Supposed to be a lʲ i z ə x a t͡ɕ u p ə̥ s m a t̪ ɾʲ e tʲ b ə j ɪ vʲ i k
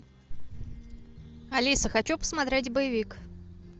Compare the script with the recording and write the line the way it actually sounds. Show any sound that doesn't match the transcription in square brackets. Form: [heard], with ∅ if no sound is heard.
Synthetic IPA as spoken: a lʲ i [s] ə x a t͡ɕ u p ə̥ s m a t̪ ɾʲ e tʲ b ə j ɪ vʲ i k